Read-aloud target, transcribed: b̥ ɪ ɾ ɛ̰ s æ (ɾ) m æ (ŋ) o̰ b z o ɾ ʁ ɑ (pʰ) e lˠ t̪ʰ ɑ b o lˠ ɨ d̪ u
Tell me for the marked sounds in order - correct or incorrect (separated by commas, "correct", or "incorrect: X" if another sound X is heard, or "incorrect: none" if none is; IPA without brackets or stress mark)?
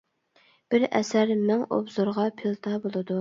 correct, correct, correct